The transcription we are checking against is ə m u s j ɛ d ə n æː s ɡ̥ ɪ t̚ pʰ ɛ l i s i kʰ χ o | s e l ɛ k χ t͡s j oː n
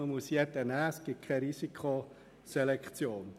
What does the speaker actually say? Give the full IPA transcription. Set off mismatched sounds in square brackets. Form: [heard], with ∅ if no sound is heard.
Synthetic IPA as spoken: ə m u s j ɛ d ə n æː s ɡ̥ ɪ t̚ [kʰ] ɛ [ɾ] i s i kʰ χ o | s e l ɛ k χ t͡s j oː n